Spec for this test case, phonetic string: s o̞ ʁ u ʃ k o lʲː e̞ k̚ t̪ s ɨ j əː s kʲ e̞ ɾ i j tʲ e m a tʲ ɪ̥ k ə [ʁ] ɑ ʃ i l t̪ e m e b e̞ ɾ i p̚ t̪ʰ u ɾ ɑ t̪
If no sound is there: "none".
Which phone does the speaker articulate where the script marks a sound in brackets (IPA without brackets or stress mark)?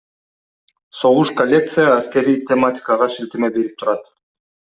ʁ